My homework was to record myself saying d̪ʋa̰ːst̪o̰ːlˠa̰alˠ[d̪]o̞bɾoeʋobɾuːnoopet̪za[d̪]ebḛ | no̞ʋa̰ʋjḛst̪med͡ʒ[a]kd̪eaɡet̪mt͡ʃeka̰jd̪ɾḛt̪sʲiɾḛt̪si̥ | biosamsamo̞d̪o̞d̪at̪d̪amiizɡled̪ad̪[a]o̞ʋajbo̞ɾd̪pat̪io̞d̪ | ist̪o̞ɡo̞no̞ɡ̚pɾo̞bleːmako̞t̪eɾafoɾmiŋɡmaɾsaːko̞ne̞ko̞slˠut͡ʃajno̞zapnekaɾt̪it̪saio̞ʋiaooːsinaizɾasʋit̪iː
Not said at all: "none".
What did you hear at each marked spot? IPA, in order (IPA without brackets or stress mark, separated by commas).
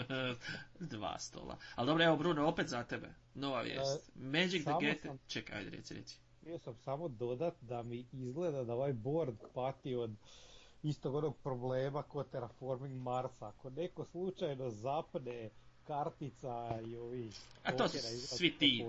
d̪, t̪, i, a